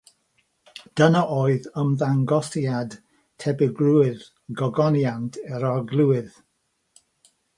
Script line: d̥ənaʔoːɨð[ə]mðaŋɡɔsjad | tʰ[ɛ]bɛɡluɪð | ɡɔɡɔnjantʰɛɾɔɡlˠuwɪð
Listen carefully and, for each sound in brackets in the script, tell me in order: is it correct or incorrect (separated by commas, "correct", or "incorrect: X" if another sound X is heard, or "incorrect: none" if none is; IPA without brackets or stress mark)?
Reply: correct, correct